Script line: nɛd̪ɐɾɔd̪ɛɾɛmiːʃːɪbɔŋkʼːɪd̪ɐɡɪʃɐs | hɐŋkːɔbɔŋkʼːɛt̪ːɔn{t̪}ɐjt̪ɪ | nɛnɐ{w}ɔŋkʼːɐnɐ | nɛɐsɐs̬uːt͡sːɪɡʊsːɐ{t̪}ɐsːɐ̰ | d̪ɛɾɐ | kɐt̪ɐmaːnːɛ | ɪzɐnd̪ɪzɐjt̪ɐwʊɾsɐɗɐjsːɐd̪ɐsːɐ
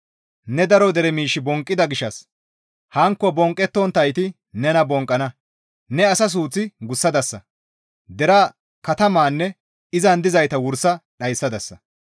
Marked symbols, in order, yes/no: yes, no, no

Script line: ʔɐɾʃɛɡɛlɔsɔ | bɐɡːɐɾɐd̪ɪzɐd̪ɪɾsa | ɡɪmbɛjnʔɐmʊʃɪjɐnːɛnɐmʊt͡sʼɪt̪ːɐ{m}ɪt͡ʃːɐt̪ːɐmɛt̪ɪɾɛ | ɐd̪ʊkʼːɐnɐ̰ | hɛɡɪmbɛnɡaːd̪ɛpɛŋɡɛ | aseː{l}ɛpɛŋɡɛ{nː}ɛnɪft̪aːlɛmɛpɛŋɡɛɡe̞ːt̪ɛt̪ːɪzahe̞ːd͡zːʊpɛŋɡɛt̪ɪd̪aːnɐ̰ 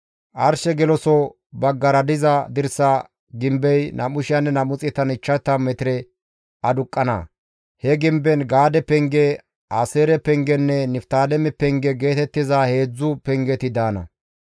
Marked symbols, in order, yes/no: no, no, yes

